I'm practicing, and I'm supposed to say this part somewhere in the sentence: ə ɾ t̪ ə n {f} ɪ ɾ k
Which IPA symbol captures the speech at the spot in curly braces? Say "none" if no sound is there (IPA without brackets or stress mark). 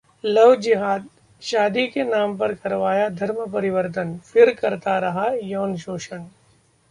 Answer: f